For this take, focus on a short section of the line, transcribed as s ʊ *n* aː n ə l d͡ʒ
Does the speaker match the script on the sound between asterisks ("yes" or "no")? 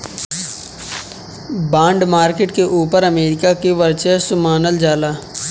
no